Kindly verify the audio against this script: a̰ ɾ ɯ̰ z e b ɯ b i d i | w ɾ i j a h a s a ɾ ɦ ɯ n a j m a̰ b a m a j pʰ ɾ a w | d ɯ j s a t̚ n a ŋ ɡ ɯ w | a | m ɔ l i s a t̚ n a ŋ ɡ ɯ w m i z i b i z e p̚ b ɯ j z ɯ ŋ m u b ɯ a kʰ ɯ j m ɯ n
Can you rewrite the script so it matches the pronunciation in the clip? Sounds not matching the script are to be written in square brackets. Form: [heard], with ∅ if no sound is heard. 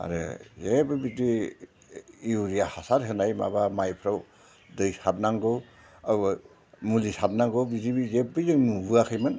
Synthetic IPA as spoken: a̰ ɾ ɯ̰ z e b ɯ b i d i | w ɾ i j a h a s a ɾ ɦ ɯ n a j m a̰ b a m a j pʰ ɾ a w | d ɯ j s a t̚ n a ŋ ɡ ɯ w | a | m [u] l i s a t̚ n a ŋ ɡ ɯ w [b] i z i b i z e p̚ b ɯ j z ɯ ŋ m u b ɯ a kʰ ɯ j m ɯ n